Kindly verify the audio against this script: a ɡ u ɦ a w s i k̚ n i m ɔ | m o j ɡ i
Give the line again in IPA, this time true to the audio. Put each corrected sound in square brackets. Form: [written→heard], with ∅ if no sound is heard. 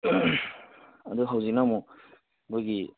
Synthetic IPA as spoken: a [ɡ→d] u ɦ a w [s→z] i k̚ n [i→a] m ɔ | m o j ɡ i